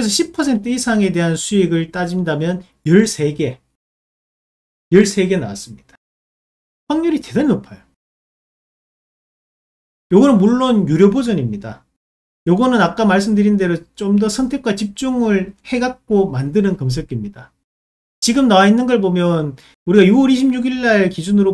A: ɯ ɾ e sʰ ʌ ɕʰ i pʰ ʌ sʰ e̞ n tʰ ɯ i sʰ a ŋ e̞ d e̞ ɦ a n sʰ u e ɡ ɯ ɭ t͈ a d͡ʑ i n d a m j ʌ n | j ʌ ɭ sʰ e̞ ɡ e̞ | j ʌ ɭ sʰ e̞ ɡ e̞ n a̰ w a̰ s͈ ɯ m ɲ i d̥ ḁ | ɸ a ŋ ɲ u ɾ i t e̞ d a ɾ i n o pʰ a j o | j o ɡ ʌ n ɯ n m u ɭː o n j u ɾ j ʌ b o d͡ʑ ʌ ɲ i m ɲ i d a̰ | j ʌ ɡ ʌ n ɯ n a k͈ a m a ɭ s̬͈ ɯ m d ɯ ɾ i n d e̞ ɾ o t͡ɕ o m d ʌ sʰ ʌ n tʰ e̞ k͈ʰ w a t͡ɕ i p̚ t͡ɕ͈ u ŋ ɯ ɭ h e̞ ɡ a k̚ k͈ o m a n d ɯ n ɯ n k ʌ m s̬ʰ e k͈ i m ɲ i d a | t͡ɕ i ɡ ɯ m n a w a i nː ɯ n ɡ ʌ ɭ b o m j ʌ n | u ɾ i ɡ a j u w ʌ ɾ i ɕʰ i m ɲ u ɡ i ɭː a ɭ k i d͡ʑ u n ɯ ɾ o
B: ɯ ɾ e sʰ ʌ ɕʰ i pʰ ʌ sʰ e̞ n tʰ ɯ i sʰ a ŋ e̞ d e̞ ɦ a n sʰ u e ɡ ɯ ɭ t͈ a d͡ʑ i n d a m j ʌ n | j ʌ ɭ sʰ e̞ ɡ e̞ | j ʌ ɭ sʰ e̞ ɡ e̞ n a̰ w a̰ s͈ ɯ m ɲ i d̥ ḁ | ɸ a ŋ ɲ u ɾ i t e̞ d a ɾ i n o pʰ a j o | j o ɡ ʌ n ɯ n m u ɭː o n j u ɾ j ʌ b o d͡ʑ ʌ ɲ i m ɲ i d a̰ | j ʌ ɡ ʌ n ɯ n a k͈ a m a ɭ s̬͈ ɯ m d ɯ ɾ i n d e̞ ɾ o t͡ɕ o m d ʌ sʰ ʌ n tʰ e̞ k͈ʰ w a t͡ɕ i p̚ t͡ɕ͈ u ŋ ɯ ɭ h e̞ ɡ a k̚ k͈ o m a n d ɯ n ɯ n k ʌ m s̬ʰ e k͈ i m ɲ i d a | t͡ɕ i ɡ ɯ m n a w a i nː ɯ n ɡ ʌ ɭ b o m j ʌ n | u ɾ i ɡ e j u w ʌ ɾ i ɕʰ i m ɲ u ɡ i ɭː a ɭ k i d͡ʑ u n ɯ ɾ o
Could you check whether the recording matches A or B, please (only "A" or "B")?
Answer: A